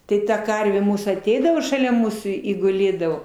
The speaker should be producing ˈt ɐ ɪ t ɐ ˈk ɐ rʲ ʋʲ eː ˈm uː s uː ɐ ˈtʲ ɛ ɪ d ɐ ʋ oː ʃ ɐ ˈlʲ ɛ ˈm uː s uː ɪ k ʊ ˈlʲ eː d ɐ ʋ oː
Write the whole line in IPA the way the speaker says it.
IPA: ˈt ɐ ɪ t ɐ ˈk ɐ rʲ ʋʲ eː ˈm uː s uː ɐ ˈtʲ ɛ ɪ d ɐ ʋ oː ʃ ɐ ˈlʲ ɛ ˈm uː s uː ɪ ɡ ʊ ˈlʲ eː d ɐ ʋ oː

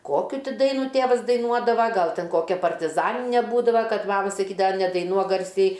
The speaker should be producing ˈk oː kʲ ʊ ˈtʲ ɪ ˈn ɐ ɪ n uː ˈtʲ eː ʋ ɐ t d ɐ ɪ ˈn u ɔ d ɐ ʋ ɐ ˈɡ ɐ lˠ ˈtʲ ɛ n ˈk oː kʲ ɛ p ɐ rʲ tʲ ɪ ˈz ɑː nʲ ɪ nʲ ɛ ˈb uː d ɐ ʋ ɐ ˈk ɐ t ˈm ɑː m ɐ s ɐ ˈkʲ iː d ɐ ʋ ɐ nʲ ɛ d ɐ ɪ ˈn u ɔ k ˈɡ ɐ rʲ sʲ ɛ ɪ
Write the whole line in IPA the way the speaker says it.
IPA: ˈk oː kʲ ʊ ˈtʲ ɪ ˈd ɐ ɪ n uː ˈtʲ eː ʋ ɐ s d ɐ ɪ ˈn u ɔ d ɐ ʋ ɐ ˈɡ ɐ lˠ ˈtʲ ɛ n ˈk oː kʲ ɛ p ɐ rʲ tʲ ɪ ˈz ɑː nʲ ɪ nʲ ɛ ˈb uː d ɐ ʋ ɐ ˈk ɐ t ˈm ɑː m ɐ s ɐ ˈkʲ iː d ɐ ʋ ɐ nʲ ɛ d ɐ ɪ ˈn u ɔ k ˈɡ ɐ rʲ sʲ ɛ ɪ

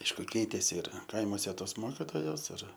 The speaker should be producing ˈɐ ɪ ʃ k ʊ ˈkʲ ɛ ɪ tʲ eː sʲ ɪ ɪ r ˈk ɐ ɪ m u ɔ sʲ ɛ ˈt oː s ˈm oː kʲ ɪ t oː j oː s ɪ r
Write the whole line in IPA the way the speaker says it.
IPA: ˈɐ ɪ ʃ k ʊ ˈkʲ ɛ ɪ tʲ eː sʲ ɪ ɪ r ˈk ɐ ɪ m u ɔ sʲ ɛ ˈt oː s ˈm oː kʲ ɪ t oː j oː s ɪ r

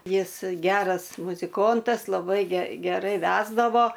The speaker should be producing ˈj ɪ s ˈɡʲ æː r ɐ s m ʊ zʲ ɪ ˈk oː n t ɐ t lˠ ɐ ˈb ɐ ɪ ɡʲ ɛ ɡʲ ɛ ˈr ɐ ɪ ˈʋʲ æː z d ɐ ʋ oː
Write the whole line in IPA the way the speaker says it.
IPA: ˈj ɪ s ˈɡʲ æː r ɐ s m ʊ zʲ ɪ ˈk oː n t ɐ s lˠ ɐ ˈb ɐ ɪ ɡʲ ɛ ɡʲ ɛ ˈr ɐ ɪ ˈʋʲ æː z d ɐ ʋ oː

